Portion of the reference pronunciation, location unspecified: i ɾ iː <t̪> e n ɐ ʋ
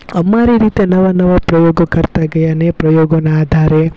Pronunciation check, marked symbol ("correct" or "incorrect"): correct